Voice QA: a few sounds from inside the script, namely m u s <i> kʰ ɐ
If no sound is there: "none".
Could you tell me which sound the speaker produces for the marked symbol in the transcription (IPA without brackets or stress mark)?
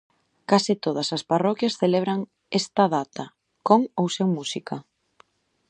i